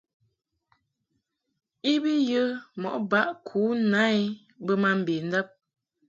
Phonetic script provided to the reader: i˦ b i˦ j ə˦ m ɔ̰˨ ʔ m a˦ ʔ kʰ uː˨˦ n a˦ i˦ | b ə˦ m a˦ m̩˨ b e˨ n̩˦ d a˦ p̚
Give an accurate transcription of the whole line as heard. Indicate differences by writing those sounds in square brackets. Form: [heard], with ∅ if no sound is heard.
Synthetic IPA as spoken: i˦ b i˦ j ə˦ m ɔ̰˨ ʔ [b] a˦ ʔ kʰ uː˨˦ n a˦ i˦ | b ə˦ m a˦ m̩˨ b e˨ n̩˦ d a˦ p̚